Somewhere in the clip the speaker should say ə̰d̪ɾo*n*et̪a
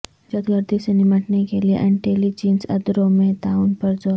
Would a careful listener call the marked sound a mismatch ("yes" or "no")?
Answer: yes